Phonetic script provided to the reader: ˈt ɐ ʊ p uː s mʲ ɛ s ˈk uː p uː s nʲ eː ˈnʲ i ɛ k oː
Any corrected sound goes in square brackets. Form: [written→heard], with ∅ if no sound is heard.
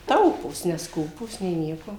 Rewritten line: ˈt ɐ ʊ p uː s [mʲ→nʲ] ɛ s ˈk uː p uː s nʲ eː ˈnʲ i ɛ k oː